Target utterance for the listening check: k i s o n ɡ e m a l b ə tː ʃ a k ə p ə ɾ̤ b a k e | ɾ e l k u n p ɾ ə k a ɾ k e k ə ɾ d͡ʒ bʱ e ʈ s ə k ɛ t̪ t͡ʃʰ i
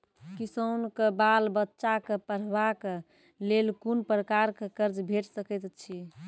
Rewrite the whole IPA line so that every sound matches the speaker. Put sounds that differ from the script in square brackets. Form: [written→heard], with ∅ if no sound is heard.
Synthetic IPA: k i s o n [ɡ→k] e [m→b] a l b ə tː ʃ a k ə p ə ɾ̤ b a k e | [ɾ→l] e l k u n p ɾ ə k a ɾ k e k ə ɾ d͡ʒ bʱ e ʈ s ə k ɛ t̪ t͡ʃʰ i